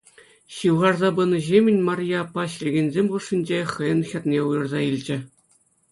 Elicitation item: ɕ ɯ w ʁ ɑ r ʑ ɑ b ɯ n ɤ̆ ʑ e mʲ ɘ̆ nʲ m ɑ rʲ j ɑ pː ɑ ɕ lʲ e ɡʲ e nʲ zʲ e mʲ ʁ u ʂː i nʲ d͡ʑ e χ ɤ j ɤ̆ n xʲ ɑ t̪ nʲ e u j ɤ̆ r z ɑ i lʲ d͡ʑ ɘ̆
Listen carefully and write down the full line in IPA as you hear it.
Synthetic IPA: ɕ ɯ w ʁ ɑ r z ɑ b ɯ n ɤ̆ ʑ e mʲ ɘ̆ nʲ m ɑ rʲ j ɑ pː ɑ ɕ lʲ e ɡʲ e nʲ zʲ e mʲ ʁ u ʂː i nʲ d͡ʑ e χ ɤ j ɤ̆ n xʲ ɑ t̪ nʲ e u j ɤ̆ r z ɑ i lʲ d͡ʑ ɘ̆